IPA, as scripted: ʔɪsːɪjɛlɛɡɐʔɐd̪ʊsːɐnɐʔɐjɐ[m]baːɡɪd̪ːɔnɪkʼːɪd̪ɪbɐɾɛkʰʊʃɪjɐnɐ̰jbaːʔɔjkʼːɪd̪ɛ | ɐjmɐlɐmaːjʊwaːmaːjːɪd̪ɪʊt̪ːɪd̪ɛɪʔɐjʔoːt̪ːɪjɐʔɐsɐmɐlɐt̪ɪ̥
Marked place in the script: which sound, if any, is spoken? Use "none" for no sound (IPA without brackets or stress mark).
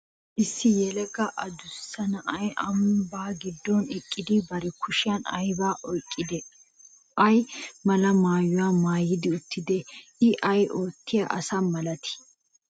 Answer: m